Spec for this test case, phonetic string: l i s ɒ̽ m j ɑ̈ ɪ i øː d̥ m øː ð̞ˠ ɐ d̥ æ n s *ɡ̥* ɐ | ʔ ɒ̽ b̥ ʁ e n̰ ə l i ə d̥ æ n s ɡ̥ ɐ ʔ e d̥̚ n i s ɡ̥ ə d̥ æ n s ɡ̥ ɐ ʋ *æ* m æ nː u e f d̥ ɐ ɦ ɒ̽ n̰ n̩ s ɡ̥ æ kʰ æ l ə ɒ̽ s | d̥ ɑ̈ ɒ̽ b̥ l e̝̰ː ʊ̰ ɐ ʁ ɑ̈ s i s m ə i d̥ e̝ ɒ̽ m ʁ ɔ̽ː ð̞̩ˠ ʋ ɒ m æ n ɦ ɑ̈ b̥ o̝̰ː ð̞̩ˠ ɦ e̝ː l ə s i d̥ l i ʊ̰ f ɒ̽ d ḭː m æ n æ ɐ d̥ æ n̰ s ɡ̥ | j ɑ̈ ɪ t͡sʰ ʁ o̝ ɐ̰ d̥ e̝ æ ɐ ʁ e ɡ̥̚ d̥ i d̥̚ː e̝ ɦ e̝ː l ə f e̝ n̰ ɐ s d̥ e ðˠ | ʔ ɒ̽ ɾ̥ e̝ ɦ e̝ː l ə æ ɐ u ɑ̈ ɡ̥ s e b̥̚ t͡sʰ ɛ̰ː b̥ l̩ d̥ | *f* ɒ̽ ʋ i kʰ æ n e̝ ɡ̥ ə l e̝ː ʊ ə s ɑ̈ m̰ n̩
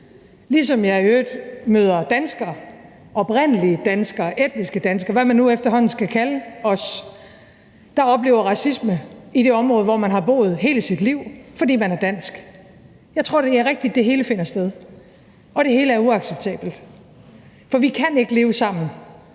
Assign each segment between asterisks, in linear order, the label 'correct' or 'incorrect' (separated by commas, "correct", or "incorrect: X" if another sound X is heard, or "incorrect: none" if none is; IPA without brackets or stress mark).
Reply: correct, correct, correct